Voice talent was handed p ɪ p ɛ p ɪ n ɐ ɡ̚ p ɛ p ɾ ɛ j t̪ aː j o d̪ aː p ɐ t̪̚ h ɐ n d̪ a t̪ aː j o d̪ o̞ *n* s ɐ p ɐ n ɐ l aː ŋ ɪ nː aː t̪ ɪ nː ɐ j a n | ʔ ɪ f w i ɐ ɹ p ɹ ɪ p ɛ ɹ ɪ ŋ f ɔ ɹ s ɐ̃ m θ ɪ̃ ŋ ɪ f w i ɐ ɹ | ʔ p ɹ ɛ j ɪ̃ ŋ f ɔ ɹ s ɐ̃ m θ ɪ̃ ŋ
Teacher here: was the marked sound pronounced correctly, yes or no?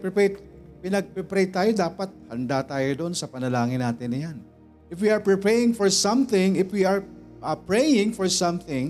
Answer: yes